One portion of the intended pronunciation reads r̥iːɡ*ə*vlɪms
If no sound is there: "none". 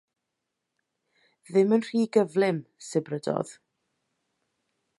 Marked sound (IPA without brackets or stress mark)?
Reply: ə